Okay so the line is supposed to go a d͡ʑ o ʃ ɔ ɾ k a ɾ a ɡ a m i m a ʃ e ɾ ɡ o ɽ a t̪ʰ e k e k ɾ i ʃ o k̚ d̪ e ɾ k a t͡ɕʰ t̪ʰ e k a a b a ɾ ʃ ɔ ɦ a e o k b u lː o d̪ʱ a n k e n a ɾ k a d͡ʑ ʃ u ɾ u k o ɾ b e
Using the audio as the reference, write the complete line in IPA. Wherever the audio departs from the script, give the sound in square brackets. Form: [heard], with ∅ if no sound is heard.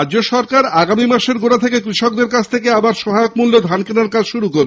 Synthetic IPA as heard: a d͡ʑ o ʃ ɔ ɾ k a ɾ a ɡ a m i m a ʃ e ɾ ɡ o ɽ a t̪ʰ e k e k ɾ i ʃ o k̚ d̪ e ɾ k a t͡ɕʰ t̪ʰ e k [e] a b a ɾ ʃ ɔ ɦ a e o k [m] u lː o d̪ʱ a n k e n a ɾ k a d͡ʑ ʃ u ɾ u k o ɾ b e